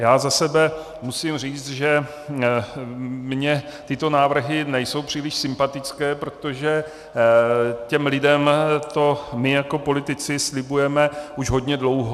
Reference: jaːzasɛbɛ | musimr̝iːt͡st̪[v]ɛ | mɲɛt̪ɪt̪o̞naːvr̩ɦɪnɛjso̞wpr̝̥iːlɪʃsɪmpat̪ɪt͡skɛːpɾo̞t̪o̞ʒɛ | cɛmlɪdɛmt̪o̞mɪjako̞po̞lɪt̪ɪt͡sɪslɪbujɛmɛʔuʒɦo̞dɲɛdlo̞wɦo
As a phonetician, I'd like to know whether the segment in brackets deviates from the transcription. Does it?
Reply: yes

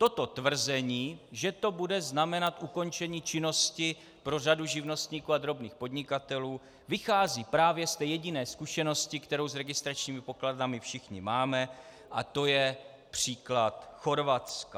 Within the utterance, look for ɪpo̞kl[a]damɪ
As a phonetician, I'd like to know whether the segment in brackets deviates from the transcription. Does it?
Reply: no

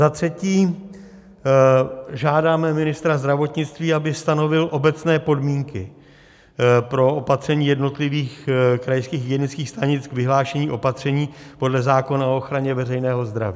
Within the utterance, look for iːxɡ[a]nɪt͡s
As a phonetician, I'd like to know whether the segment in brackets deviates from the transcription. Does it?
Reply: yes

